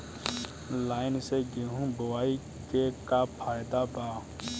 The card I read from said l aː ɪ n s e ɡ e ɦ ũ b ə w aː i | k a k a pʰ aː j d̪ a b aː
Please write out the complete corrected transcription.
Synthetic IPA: l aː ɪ n s e ɡ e ɦ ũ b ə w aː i | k e k a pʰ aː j d̪ a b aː

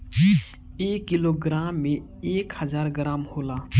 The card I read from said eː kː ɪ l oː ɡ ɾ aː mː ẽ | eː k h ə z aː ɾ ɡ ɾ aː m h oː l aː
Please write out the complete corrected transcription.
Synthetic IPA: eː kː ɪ l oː ɡ ɾ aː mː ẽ | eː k h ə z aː ɾ ɡ ɾ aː m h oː l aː

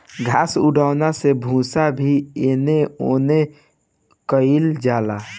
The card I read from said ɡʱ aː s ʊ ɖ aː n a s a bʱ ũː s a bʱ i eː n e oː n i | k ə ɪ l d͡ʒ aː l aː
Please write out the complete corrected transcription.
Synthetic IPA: ɡʱ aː s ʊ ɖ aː n a s e bʱ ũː s a bʱ i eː n e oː n e | k ə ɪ l d͡ʒ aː l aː

